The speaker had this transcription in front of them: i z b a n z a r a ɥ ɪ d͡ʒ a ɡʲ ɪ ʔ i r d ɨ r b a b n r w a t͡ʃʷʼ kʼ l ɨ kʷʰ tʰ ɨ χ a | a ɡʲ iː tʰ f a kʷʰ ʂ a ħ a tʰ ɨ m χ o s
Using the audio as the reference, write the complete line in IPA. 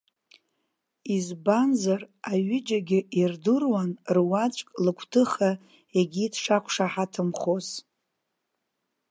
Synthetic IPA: i z b a n z a r a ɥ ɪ d͡ʒ a ɡʲ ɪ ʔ i r d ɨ r w a n r w a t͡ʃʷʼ kʼ l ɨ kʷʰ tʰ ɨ χ a | e ɡʲ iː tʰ ʂ a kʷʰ ʂ a ħ a tʰ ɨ m χ o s